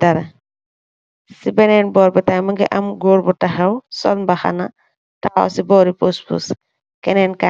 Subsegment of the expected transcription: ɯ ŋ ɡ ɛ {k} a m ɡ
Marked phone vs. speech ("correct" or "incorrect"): incorrect